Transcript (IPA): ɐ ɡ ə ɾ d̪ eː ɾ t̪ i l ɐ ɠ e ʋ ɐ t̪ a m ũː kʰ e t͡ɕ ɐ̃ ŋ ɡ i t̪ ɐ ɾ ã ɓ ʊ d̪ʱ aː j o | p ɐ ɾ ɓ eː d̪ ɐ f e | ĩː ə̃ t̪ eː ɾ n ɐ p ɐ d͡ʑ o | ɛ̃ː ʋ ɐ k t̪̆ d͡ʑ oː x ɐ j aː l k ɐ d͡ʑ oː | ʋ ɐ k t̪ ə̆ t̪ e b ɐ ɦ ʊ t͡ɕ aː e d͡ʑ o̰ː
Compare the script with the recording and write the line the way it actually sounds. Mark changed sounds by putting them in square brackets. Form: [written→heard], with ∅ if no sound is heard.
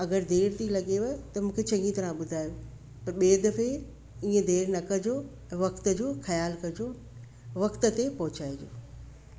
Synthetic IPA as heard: ɐ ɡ ə ɾ d̪ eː ɾ t̪ i l ɐ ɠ e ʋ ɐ t̪ [a→ɐ] m ũː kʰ e t͡ɕ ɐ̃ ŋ ɡ i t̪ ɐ ɾ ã ɓ ʊ d̪ʱ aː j o | p ɐ ɾ ɓ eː d̪ ɐ f e | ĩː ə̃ [t̪→d̪] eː ɾ n ɐ [p→k] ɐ d͡ʑ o | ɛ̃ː ʋ ɐ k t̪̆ d͡ʑ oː x ɐ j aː l k ɐ d͡ʑ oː | ʋ ɐ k t̪ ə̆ t̪ e [b→p] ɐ ɦ ʊ t͡ɕ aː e d͡ʑ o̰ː

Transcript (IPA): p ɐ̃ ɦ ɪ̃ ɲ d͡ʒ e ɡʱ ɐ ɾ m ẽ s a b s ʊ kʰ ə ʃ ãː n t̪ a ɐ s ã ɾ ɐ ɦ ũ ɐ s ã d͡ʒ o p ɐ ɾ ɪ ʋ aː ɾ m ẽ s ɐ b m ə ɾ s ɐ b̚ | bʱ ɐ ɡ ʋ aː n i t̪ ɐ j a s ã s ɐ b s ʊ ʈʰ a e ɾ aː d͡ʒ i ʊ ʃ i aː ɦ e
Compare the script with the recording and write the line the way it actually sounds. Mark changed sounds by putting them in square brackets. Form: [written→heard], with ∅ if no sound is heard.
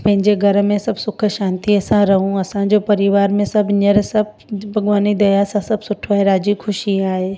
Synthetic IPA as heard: p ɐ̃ ɦ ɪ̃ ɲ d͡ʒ e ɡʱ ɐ ɾ m ẽ s [a→ɐ] b s ʊ kʰ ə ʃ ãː n t̪ [a→i] ɐ s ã ɾ ɐ ɦ ũ ɐ s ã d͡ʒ o p ɐ ɾ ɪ ʋ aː ɾ m ẽ s ɐ b [m→n] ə ɾ s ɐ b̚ | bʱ ɐ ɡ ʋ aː n i [t̪→d̪] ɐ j a s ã s ɐ b s ʊ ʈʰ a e ɾ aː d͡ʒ i ʊ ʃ i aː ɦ e

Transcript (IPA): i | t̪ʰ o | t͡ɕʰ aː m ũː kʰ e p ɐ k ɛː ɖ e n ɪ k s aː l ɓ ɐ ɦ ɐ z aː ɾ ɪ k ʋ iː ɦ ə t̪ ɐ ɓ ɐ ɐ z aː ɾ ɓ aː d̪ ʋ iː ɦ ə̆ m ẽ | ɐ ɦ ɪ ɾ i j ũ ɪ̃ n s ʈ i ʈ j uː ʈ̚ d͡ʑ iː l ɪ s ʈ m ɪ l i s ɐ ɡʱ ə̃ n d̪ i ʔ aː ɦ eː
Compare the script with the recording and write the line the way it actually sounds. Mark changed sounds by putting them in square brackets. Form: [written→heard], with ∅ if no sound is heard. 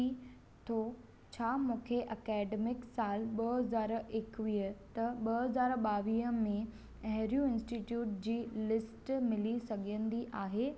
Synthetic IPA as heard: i | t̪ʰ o | t͡ɕʰ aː m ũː kʰ e [p→ʔ] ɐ k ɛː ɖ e [n→m] ɪ k s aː l ɓ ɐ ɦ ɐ z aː ɾ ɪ k ʋ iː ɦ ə t̪ ɐ ɓ ɐ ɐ z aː ɾ ɓ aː [d̪→∅] ʋ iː ɦ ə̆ m ẽ | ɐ ɦ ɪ ɾ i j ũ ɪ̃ n s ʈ i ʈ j uː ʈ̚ d͡ʑ iː l ɪ s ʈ m ɪ l i s ɐ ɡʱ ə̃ n d̪ i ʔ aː ɦ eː

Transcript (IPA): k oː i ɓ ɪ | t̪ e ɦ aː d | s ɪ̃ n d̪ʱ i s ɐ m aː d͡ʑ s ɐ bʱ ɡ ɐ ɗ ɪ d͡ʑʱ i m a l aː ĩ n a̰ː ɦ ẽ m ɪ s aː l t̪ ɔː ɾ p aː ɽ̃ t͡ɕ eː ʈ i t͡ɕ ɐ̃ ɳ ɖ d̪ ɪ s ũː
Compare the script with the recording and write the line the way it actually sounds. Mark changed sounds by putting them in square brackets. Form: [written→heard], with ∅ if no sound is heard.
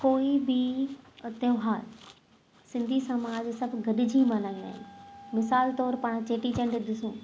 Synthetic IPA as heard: k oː i [ɓ→b] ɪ | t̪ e ɦ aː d | s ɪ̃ n d̪ʱ i s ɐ m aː d͡ʑ s ɐ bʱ ɡ ɐ ɗ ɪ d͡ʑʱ i m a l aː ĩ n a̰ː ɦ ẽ m ɪ s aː l t̪ ɔː ɾ p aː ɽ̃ t͡ɕ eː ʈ i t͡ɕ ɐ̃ ɳ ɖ d̪ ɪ s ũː

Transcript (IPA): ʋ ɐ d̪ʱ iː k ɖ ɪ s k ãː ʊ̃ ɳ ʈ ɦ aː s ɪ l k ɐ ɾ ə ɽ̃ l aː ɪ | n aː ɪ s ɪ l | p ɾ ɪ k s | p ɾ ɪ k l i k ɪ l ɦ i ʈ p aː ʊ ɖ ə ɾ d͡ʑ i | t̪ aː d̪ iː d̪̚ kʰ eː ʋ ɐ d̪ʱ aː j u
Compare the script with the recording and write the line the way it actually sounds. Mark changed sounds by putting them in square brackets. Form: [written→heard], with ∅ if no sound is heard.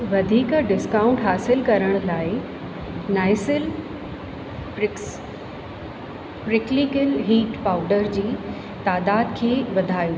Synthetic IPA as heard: ʋ ɐ d̪ʱ iː k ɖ ɪ s k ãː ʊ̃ ɳ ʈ ɦ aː s ɪ l k ɐ ɾ ə ɽ̃ l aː ɪ | n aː ɪ s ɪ l | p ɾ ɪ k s | p ɾ ɪ k l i k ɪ l ɦ [i→iː] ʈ p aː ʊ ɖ ə ɾ d͡ʑ [i→iː] | t̪ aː d̪ [iː→aː] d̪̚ kʰ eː ʋ ɐ d̪ʱ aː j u

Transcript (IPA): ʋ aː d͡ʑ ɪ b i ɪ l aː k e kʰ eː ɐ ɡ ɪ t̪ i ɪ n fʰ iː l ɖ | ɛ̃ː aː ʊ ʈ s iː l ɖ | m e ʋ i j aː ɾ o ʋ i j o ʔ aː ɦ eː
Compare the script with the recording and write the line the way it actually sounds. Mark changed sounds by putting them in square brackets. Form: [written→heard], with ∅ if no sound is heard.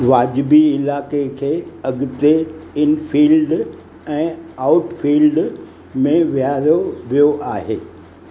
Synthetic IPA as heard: ʋ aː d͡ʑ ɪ b i ɪ l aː k e kʰ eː ɐ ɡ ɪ t̪ [i→e] ɪ n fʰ iː l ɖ | ɛ̃ː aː ʊ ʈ [s→f] iː l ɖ | m [e→ẽ] ʋ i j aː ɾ o ʋ i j o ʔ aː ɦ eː

